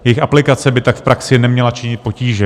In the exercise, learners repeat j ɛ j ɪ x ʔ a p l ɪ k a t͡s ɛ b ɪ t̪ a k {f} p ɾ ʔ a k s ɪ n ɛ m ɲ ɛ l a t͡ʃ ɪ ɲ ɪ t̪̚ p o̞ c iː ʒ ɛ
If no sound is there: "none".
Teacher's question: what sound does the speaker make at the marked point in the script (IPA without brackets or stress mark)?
f